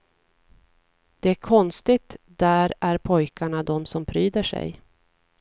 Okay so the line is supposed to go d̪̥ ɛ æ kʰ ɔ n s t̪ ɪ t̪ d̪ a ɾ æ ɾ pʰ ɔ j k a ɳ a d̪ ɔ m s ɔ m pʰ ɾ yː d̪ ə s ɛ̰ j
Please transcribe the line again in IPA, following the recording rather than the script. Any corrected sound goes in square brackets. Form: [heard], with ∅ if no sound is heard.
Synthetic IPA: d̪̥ ɛ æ kʰ ɔ n s t̪ ɪ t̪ d̪ [æ] ɾ æ ɾ pʰ ɔ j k a ɳ a d̪ ɔ m s ɔ m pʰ ɾ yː d̪ ə [ʂ] ɛ̰ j